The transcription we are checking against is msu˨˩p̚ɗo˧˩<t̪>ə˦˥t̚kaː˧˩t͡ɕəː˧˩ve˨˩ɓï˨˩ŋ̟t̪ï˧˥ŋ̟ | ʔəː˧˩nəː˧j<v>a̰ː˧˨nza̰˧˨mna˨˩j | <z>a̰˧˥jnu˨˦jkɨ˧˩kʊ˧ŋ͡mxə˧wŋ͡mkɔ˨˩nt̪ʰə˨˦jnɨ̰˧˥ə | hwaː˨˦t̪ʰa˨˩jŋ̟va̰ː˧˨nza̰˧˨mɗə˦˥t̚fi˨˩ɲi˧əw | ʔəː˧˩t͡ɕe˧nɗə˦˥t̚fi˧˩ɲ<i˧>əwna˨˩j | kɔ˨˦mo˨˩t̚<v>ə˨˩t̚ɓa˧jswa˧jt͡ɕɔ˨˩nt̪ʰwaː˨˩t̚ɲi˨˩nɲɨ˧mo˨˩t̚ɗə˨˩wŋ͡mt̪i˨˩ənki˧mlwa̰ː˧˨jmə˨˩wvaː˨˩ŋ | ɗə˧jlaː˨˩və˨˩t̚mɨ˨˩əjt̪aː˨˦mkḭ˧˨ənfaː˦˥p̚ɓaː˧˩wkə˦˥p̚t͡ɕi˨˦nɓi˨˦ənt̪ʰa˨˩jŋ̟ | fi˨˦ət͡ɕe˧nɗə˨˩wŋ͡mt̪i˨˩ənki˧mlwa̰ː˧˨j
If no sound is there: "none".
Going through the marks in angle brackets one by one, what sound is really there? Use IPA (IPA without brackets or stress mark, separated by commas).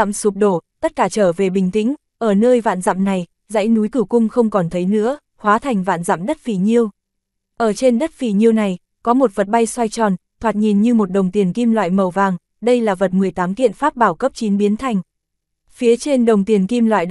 t̪, v, z, i˧, v